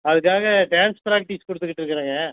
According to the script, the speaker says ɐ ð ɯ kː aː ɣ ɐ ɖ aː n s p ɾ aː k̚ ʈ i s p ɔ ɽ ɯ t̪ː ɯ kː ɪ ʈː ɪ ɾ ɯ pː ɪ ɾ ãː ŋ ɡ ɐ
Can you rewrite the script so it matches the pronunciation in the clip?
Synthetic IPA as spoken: ɐ ð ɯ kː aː ɣ ɐ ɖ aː n s p ɾ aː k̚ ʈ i s k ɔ ɽ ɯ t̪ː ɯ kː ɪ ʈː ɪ ɾ ɯ kː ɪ ɾ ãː ŋ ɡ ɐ